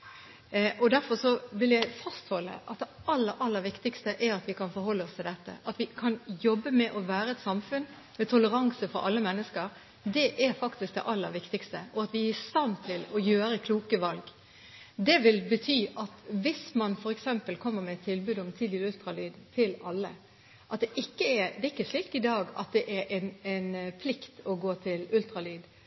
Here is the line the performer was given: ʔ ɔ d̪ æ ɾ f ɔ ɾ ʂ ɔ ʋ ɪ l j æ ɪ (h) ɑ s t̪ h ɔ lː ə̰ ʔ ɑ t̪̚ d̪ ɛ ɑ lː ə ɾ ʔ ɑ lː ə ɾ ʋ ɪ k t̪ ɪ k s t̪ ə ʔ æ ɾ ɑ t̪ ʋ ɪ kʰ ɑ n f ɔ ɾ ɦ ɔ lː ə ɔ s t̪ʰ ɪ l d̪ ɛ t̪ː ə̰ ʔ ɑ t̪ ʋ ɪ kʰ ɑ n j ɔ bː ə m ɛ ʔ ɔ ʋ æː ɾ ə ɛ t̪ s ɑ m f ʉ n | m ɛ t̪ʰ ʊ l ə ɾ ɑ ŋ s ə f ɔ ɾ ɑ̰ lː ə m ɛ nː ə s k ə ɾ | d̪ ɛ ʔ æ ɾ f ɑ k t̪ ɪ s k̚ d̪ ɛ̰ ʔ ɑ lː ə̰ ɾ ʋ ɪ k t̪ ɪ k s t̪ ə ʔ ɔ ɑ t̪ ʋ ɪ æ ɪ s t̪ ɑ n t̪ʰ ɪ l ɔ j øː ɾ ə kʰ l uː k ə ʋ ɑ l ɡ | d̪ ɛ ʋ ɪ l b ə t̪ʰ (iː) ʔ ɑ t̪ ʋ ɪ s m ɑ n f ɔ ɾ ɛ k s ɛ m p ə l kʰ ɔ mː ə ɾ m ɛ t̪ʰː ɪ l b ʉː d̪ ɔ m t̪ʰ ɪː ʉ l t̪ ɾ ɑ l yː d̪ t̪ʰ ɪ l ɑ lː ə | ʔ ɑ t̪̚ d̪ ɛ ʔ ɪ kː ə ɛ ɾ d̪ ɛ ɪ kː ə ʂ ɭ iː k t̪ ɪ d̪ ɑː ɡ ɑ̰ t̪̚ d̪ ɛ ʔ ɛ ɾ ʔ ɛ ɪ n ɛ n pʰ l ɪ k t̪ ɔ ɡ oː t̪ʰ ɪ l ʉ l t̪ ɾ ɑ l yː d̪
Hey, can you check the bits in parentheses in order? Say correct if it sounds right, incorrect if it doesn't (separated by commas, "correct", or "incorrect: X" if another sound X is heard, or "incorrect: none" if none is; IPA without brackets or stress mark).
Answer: incorrect: f, incorrect: yː